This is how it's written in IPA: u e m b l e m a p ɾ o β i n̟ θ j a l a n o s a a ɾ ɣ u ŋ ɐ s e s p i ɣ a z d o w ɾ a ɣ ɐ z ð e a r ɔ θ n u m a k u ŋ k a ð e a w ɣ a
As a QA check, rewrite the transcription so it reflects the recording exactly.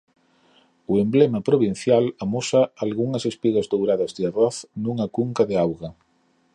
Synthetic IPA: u e m b l e m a p ɾ o β i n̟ θ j a l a m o s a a l ɣ u ŋ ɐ s e s p i ɣ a z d o w ɾ a ð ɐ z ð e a r ɔ θ n u ŋ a k u ŋ k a ð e a w ɣ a